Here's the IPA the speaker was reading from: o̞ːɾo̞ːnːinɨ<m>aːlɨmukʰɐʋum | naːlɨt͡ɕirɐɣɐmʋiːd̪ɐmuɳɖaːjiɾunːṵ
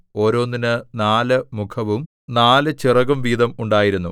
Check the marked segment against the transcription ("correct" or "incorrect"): incorrect